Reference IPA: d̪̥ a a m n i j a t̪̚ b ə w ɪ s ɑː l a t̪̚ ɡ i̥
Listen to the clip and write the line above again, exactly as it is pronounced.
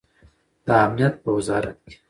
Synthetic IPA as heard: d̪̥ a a m n i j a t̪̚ b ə w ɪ z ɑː ɾ a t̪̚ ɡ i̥